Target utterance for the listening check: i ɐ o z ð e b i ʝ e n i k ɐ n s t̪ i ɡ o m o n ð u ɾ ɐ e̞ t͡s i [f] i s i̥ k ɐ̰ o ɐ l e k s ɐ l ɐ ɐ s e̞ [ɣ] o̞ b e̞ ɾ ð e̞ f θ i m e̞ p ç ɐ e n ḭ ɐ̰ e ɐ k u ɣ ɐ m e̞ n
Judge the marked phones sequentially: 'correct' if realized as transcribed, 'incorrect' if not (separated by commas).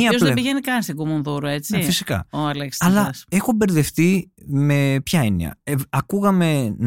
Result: correct, incorrect